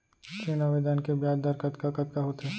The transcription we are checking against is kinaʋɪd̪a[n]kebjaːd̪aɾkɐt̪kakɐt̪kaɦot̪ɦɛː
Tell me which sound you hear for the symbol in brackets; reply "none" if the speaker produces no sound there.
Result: n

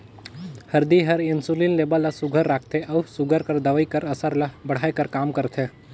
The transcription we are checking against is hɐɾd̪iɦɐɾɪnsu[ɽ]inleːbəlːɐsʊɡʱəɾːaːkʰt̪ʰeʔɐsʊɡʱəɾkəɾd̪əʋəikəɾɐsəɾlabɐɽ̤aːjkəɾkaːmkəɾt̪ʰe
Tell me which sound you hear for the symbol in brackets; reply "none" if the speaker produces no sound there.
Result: l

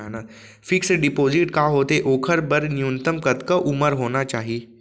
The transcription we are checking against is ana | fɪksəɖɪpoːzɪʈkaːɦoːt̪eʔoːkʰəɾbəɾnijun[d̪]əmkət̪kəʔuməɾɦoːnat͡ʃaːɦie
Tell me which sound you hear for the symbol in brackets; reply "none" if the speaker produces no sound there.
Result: t̪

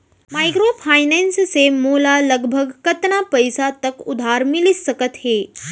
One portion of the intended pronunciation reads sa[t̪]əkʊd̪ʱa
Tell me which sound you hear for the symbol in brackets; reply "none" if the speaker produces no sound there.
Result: t̪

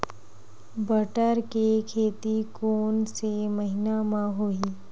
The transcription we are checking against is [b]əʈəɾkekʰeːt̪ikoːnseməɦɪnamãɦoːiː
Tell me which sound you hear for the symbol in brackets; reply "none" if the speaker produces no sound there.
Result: b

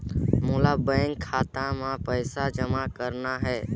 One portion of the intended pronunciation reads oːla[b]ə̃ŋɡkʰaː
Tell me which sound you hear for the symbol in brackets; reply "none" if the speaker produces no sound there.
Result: b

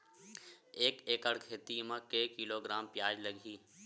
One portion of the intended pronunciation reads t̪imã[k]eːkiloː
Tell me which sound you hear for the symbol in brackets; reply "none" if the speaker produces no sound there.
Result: k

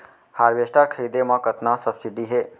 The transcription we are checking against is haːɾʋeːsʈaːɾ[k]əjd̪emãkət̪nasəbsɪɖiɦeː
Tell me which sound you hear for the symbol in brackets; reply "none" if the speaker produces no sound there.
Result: kʰ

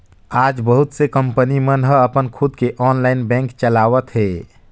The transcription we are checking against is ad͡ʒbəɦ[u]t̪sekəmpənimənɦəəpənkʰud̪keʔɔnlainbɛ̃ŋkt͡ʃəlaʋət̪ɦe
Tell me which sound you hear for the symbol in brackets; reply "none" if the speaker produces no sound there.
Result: u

